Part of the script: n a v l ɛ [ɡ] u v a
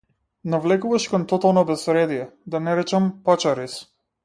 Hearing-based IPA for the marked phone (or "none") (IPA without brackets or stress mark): k